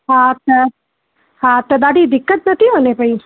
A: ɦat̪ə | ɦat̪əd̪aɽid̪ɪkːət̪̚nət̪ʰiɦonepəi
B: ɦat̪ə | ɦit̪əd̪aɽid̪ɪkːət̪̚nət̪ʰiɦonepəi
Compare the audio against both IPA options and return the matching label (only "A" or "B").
A